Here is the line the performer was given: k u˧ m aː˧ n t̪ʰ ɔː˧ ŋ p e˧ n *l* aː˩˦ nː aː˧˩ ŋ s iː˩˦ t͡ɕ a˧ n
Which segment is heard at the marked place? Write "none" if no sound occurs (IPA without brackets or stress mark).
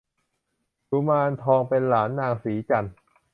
l